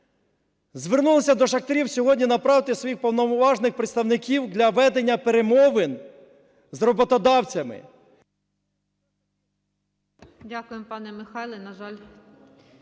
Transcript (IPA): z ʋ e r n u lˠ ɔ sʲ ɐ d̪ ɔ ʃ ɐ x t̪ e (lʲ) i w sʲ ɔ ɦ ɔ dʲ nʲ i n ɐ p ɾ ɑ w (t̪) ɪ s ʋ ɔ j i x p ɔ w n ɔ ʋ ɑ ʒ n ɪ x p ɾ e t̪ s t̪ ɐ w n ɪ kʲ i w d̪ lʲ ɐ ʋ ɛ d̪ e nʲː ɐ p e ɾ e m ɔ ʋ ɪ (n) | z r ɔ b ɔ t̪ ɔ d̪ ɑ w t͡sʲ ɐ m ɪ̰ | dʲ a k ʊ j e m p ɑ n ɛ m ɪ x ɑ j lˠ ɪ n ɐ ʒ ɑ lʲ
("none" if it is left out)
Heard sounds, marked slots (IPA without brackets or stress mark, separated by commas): ɾʲ, t̪, n